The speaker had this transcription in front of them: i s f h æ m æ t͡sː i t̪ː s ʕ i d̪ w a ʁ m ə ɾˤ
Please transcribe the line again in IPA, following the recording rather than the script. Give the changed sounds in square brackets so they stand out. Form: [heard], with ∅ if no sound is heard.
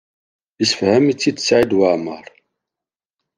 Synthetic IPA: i s f h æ m [i] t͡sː i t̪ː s ʕ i d̪ w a [ʕ] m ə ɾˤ